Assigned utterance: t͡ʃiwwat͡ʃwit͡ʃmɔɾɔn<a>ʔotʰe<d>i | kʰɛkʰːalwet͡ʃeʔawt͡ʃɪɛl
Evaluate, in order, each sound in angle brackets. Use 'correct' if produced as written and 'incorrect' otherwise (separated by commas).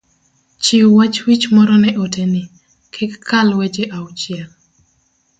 incorrect, incorrect